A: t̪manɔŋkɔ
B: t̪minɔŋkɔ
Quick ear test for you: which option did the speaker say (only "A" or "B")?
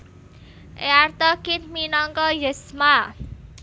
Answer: B